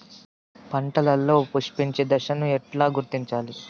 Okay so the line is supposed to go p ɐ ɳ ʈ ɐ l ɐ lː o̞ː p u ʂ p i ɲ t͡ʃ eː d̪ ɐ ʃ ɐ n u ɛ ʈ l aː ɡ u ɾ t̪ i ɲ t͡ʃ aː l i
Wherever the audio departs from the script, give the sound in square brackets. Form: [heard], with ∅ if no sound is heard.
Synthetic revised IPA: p ɐ ɳ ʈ ɐ l ɐ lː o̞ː p u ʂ p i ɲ t͡ʃ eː d̪ ɐ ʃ ɐ n u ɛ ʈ l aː ɡ u ɾ t̪ i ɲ t͡ʃ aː l i